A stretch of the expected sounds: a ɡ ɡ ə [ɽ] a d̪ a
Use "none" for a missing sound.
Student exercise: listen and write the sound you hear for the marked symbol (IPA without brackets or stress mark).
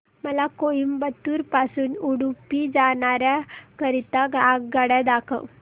ɽ